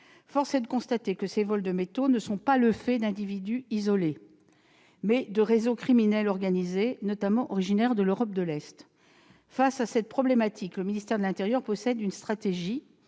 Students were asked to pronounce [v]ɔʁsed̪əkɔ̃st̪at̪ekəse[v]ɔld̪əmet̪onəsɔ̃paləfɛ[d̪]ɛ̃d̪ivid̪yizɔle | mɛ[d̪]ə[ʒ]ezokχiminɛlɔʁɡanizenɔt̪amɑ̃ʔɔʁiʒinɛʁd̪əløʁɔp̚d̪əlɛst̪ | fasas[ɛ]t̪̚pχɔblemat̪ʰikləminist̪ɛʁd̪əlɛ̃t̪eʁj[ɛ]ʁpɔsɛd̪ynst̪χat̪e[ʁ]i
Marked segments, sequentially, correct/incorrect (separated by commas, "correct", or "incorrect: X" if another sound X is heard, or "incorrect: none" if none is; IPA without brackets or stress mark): incorrect: f, correct, correct, correct, incorrect: ʁ, correct, incorrect: œ, incorrect: ʒ